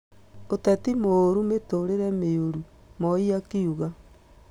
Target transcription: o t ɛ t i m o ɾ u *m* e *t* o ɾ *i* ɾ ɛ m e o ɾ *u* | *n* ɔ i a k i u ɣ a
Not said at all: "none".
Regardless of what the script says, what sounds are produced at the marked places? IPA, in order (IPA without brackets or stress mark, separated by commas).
m, t, e, u, m